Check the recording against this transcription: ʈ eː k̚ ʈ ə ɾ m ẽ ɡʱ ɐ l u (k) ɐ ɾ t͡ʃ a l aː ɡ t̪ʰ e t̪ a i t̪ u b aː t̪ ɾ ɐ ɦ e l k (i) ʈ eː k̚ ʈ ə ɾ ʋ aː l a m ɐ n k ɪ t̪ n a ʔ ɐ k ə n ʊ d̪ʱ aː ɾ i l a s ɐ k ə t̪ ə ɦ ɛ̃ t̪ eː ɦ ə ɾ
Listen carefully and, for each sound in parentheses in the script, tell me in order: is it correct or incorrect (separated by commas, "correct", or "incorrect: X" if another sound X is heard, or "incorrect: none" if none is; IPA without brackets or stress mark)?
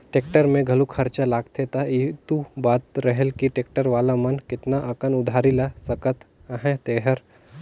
incorrect: kʰ, correct